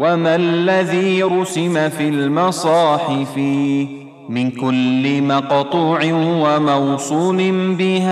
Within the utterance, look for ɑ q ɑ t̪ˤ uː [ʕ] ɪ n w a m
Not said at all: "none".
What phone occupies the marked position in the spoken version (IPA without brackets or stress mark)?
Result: ʕ